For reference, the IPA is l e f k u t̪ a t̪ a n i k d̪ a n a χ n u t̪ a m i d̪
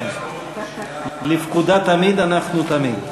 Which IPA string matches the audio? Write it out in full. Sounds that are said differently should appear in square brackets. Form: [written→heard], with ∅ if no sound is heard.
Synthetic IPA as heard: l [e→i] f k u [t̪→d̪] a t̪ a [n→m] i [k→∅] d̪ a n a χ n u t̪ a m i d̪